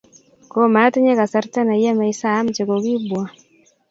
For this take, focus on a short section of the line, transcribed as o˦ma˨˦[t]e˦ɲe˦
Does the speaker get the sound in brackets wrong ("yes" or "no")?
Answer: no